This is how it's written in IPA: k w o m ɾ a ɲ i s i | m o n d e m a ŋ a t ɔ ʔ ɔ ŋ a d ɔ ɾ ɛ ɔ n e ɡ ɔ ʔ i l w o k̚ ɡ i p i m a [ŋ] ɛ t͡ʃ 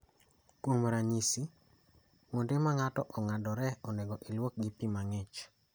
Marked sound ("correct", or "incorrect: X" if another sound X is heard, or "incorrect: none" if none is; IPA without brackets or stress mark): correct